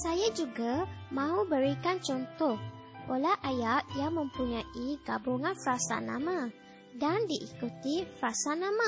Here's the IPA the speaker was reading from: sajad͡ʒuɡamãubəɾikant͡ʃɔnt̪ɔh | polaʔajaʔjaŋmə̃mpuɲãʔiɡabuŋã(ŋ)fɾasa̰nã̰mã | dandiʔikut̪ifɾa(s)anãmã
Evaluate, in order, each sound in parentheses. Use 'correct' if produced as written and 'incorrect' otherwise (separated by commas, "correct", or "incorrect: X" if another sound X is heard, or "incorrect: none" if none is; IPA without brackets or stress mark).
incorrect: n, correct